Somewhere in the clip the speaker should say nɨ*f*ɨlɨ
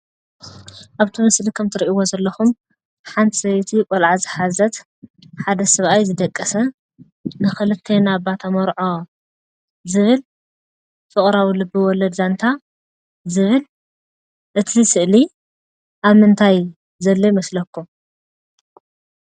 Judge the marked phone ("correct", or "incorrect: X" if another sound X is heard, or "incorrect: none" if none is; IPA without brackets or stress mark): incorrect: x